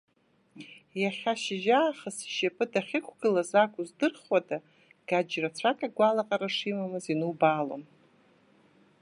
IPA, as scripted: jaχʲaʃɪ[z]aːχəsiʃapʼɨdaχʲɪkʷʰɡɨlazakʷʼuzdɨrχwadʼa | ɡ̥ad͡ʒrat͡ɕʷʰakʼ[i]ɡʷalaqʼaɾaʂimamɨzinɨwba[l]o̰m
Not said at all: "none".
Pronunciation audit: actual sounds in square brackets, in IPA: ʒ, a, l

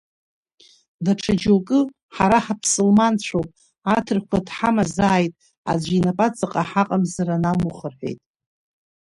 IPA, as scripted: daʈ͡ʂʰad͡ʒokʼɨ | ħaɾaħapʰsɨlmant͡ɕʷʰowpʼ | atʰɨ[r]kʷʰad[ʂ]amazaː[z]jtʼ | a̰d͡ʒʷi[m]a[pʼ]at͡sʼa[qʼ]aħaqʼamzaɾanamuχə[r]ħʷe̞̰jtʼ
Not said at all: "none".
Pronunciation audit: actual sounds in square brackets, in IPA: r, ħ, none, n, pʼ, qʼ, r

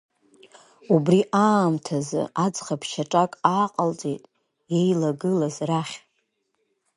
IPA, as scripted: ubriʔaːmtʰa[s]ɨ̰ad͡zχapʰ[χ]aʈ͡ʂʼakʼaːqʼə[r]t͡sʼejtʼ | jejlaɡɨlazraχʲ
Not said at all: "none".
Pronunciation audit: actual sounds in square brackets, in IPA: z, ʃ, l

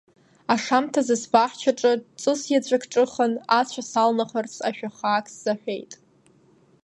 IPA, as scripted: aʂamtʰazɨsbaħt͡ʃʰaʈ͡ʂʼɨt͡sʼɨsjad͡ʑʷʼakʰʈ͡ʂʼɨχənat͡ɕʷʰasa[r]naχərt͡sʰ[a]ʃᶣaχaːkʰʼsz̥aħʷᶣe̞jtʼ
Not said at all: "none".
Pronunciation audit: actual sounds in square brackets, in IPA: l, a

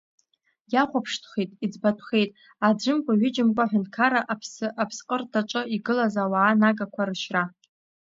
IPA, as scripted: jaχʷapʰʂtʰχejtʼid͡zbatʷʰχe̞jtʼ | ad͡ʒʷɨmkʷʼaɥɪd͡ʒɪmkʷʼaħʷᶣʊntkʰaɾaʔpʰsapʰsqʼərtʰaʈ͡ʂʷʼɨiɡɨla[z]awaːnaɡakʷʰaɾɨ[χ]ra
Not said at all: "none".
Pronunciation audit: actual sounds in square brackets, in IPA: z, ʃ

